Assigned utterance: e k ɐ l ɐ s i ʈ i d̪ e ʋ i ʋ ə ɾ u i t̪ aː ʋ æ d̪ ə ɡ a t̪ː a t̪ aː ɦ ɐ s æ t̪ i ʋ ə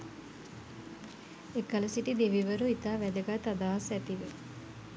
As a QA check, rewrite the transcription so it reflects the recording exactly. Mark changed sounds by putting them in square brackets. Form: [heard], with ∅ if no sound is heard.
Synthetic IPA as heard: e k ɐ l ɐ s i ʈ i d̪ e ʋ i ʋ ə ɾ u i t̪ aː ʋ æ d̪ ə ɡ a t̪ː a [d̪] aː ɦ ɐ s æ t̪ i ʋ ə